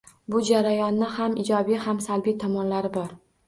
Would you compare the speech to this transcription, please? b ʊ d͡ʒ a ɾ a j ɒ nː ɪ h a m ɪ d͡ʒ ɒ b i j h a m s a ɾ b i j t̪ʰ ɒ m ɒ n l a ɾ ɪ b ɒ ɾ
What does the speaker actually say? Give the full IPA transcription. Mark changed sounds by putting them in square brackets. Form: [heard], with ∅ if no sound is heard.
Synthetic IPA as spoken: b ʊ d͡ʒ a ɾ a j ɒ nː ɪ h a m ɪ d͡ʒ ɒ b i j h a m s a [l] b i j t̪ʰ ɒ m ɒ n l a ɾ ɪ b ɒ ɾ